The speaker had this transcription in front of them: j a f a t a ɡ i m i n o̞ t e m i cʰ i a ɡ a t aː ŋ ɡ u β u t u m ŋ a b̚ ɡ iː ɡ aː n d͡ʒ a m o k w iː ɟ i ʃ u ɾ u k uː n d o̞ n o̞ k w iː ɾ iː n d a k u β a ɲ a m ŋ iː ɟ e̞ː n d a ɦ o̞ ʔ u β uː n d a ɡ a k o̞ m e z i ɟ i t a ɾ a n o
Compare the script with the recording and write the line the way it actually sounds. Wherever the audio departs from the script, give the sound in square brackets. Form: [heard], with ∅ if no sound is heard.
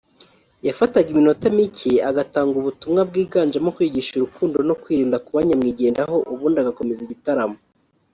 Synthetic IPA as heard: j a f a t a ɡ i m i n o̞ t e m i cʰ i a ɡ a t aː ŋ ɡ u β u t u m ŋ a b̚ ɡ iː ɡ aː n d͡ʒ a m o k w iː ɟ i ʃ u ɾ u k uː n d o̞ n o̞ k w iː ɾ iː n d a k u β a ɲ a m ŋ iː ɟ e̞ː n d a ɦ o̞ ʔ u β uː n d a ɡ a k o̞ m e z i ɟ i t a ɾ a [m] o